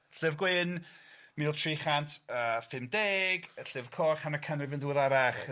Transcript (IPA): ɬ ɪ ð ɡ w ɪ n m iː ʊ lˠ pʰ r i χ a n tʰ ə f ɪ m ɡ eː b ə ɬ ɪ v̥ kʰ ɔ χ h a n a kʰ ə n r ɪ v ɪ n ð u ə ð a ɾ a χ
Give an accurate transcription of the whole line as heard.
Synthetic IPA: ɬ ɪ v ɡ w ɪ n m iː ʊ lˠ tʰ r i χ a n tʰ ə f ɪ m d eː ɡ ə ɬ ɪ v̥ kʰ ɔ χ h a n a kʰ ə n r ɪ v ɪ n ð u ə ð a ɾ a χ